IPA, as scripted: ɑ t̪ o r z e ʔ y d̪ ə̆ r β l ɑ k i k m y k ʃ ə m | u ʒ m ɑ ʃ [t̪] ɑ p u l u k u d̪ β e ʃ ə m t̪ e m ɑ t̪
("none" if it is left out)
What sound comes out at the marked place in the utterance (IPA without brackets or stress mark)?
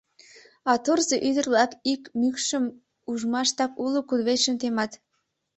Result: t̪